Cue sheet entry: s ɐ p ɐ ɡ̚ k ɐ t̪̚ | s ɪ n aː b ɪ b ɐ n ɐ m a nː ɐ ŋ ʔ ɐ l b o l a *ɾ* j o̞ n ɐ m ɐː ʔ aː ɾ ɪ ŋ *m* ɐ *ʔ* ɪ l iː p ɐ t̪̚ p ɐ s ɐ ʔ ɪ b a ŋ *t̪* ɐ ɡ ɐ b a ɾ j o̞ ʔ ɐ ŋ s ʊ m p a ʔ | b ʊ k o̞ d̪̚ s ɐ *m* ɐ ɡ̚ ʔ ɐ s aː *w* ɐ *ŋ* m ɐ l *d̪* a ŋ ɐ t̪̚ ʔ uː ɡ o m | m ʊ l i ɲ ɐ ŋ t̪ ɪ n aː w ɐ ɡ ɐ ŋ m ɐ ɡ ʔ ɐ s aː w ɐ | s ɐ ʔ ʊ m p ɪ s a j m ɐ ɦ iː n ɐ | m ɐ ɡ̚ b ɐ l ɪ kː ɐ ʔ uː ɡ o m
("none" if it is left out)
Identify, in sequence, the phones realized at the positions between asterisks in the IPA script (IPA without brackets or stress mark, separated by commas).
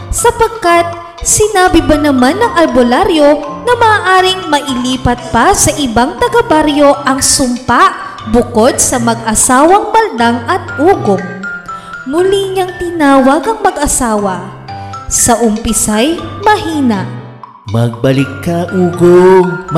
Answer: ɾ, m, ʔ, t̪, m, w, ŋ, d̪